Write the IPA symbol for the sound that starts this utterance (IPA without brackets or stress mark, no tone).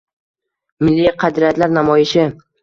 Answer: m